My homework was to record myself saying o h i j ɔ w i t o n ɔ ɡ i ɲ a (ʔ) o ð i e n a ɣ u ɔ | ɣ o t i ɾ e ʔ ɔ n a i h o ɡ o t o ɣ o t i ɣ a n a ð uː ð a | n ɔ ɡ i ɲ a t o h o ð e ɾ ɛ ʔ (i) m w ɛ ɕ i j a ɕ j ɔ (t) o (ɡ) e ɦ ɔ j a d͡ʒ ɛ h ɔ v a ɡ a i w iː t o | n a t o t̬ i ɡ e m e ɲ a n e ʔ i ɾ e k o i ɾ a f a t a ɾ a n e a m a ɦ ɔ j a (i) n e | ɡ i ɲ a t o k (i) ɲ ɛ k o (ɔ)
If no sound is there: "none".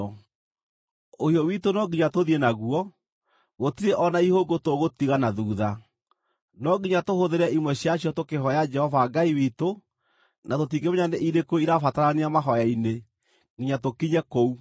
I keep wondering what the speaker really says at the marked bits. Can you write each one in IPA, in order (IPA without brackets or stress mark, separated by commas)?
t, i, t, k, i, i, u